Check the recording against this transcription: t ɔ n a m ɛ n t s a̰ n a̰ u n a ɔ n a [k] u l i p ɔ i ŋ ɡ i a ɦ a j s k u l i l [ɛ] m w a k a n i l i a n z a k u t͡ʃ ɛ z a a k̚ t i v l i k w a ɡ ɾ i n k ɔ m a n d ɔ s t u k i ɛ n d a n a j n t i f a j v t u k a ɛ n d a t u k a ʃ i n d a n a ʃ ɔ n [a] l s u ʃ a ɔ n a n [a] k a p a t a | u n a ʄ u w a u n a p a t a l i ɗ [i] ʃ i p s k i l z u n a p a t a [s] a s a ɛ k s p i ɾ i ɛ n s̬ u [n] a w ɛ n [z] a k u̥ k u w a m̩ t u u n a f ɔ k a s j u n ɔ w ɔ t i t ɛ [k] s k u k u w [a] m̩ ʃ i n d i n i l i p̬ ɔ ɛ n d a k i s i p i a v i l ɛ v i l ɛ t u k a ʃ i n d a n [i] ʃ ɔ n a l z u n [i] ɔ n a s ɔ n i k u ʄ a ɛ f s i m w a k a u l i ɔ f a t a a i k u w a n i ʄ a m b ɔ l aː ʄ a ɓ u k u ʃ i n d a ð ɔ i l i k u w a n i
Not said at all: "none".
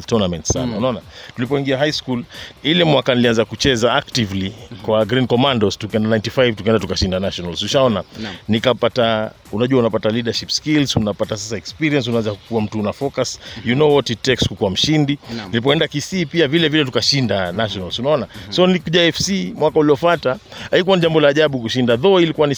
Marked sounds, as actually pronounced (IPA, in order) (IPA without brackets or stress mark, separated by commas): t, ɛ, a, i, a, s, n, z, k, a, a, a